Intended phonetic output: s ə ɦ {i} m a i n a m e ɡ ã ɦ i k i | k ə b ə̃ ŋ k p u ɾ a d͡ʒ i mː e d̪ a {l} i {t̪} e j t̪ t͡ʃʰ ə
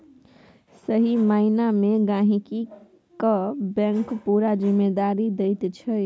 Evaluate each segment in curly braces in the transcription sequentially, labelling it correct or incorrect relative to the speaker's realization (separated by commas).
correct, incorrect, incorrect